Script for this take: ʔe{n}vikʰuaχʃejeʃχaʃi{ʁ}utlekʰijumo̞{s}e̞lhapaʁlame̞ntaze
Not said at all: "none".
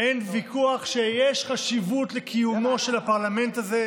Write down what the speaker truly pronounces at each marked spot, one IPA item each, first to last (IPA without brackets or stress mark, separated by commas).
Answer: n, v, ʃ